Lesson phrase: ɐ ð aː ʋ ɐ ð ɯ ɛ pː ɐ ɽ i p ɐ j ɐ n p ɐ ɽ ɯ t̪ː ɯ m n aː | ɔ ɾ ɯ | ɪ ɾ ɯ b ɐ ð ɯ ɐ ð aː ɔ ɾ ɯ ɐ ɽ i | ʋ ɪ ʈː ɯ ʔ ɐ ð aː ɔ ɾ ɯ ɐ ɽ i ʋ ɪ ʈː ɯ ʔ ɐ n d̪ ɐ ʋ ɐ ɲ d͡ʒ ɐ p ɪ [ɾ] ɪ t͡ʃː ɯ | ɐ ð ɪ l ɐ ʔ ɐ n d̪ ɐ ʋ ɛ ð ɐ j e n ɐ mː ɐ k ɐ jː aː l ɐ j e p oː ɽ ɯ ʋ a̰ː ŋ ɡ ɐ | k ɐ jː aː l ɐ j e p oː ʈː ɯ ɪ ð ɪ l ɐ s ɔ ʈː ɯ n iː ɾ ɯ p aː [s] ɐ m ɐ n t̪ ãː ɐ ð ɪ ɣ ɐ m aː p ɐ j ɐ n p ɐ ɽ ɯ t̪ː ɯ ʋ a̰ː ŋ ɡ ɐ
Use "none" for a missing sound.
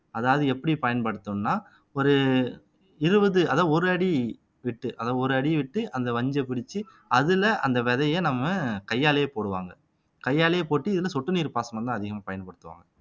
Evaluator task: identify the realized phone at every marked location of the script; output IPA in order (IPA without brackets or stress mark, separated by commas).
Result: ɽ, s